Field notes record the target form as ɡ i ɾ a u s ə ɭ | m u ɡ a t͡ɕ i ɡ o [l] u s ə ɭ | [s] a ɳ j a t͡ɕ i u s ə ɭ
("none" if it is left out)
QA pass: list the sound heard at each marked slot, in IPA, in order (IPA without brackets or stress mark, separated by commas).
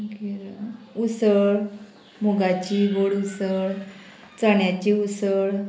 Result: ɽ, t͡s